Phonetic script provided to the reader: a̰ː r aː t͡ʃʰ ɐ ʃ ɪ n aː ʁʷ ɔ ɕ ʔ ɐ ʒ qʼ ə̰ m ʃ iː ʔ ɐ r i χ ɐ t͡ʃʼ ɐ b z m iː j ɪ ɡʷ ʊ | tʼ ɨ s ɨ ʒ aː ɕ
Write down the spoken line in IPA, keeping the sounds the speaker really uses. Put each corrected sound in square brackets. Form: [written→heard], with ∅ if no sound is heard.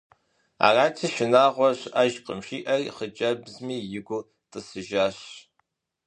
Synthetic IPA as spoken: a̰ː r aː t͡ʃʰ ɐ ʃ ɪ n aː ʁʷ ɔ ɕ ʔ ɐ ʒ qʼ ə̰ m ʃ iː ʔ ɐ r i χ [ɐ→ə] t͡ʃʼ ɐ b z m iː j ɪ ɡʷ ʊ | tʼ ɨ s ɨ ʒ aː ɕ